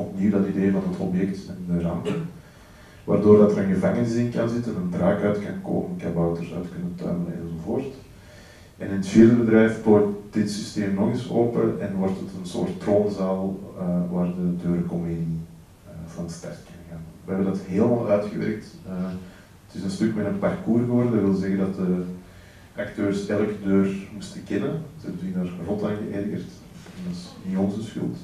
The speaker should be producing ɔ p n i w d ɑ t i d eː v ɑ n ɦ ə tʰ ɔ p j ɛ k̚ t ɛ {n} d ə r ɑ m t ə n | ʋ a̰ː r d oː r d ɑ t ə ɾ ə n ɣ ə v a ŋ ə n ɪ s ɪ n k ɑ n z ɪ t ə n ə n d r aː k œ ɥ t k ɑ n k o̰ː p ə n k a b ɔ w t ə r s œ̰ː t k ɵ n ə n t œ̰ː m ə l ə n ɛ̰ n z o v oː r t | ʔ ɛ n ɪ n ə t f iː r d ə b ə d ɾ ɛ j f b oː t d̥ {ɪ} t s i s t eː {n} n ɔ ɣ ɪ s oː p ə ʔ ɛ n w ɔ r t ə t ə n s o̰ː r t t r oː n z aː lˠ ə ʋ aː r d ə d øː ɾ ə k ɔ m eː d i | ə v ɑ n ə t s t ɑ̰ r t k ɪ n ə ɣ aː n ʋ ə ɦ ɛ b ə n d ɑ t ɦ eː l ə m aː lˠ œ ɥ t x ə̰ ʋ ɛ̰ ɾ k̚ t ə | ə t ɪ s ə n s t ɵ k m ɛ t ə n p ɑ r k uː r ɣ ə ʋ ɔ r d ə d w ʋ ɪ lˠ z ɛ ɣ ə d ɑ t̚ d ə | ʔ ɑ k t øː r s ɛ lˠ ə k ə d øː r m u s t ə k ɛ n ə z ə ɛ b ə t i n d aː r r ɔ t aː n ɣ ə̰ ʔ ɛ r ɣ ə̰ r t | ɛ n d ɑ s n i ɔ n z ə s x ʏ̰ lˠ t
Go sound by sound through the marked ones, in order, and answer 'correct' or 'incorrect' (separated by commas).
correct, correct, incorrect